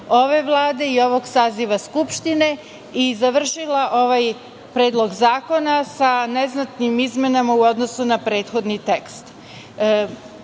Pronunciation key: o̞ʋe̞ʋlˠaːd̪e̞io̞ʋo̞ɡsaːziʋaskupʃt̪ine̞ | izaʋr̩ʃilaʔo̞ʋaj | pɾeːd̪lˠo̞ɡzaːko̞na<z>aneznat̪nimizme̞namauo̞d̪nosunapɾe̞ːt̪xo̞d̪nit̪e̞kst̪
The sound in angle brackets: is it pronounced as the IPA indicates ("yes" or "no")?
no